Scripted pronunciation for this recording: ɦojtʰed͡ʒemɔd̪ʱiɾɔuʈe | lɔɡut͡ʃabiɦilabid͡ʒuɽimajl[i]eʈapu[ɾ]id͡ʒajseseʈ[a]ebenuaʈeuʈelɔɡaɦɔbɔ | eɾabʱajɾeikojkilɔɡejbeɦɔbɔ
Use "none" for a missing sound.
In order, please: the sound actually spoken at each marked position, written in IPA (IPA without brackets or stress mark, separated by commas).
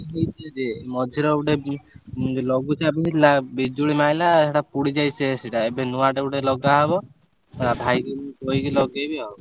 a, ɽ, a